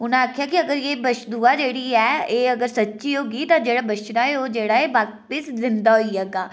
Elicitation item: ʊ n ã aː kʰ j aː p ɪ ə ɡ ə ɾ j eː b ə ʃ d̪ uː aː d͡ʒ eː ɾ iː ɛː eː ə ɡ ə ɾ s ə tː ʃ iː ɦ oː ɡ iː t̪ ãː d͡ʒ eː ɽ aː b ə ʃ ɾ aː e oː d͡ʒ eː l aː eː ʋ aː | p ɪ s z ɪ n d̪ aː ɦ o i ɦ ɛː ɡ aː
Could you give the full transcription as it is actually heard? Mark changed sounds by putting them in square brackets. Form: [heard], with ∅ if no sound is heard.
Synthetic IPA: ʊ n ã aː kʰ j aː [k] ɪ ə ɡ ə ɾ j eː b ə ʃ d̪ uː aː d͡ʒ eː [ɽ] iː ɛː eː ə ɡ ə ɾ s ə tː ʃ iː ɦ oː ɡ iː t̪ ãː d͡ʒ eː ɽ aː b ə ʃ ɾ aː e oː d͡ʒ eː [ɽ] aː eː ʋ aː | p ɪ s z ɪ n d̪ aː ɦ o i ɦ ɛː ɡ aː